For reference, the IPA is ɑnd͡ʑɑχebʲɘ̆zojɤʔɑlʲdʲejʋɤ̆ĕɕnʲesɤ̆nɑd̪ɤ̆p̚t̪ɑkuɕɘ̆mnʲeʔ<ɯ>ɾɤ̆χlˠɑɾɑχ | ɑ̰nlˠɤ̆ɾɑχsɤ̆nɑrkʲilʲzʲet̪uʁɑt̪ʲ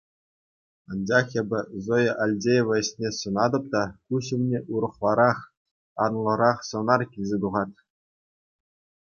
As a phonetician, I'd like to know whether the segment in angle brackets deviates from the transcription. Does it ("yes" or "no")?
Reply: yes